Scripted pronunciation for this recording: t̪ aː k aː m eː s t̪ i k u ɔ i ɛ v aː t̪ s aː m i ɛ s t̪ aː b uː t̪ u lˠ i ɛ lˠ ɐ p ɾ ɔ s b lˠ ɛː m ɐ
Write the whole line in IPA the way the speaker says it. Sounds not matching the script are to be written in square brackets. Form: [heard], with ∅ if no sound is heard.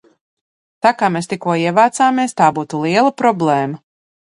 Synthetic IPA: t̪ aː k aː m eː s t̪ i k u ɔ i ɛ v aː t̪ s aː m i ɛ s t̪ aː b uː t̪ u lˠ i ɛ lˠ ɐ p ɾ ɔ [∅] b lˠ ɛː m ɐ

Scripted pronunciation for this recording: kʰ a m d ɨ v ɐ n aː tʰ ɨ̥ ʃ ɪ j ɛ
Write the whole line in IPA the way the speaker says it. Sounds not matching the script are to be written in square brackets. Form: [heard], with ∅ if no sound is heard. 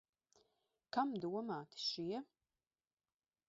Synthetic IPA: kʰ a m d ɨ [w] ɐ [m] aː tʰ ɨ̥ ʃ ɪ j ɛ

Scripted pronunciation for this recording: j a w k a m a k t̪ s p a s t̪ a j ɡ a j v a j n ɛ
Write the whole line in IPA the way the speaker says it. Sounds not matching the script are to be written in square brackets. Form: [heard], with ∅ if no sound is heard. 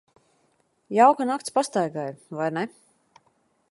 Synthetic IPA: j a w k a [n] a k t̪ s p a s t̪ a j ɡ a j v a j n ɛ

